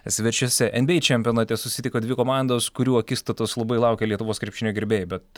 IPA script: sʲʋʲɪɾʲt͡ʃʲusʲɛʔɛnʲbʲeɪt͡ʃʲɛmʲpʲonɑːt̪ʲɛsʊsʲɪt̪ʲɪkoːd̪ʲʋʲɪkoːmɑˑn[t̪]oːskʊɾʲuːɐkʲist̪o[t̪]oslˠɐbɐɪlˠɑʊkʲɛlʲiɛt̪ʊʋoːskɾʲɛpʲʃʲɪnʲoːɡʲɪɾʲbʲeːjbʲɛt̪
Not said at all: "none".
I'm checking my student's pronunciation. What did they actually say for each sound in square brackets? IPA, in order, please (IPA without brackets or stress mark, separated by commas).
d̪, t̪